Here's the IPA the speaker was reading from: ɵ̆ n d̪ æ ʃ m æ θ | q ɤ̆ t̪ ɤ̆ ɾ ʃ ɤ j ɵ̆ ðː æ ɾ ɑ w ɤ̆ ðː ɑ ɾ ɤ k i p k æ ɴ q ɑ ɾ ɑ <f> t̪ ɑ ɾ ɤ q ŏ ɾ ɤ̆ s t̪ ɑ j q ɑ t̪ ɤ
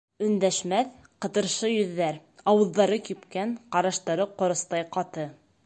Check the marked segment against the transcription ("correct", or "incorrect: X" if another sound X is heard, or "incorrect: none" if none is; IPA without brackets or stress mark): incorrect: ʃ